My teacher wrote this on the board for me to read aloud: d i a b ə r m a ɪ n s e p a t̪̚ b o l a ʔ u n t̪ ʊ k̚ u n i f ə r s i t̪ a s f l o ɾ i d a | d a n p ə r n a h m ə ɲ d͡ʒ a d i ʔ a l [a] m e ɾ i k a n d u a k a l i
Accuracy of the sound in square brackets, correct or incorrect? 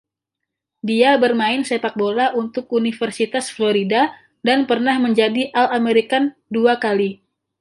correct